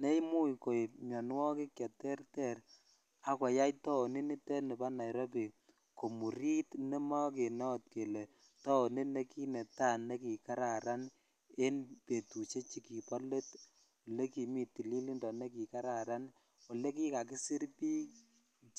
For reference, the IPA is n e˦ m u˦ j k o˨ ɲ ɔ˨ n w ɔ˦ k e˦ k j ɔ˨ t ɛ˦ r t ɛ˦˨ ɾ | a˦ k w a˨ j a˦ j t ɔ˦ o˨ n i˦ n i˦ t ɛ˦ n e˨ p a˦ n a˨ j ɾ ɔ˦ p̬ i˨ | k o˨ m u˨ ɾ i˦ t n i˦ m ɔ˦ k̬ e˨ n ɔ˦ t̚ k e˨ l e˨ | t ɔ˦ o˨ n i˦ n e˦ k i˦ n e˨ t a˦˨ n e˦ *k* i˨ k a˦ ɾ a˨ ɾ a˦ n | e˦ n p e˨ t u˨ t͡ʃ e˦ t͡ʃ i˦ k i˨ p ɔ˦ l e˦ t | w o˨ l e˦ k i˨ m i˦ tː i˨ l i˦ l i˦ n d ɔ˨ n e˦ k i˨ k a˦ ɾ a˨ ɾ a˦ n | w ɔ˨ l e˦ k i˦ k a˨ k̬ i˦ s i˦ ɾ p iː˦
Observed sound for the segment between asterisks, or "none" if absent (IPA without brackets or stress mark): k